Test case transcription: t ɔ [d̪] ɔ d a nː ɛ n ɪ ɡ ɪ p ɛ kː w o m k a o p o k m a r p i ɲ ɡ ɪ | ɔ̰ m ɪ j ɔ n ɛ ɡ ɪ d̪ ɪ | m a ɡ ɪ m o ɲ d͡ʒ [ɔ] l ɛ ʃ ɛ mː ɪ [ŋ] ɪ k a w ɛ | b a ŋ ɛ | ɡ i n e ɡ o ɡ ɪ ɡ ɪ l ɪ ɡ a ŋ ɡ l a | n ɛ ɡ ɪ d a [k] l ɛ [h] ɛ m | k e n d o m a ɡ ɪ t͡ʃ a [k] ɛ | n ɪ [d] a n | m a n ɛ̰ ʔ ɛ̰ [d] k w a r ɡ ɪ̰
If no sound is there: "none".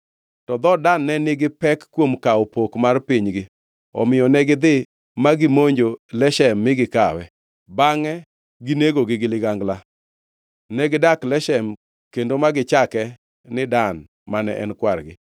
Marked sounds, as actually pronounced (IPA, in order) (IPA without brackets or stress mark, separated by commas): d̪, o, ɡ, k, ʃ, k, d, n